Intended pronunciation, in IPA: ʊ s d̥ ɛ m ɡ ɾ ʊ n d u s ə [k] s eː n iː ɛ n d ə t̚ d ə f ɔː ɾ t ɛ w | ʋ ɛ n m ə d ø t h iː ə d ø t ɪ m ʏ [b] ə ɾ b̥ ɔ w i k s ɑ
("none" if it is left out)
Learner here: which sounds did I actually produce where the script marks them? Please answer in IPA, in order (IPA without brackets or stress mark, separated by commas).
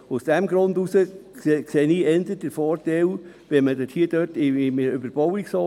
k, b